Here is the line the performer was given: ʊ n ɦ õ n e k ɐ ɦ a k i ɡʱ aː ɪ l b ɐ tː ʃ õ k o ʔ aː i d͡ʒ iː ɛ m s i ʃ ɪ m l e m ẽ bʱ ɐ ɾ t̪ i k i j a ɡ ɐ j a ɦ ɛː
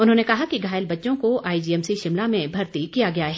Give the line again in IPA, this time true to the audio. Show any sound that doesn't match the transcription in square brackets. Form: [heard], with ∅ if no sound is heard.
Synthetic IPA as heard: ʊ n ɦ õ n e k ɐ ɦ a k i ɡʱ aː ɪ l b ɐ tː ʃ õ k o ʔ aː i d͡ʒ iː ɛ m s i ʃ ɪ m l [a] m ẽ bʱ ɐ ɾ t̪ i k i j a ɡ ɐ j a ɦ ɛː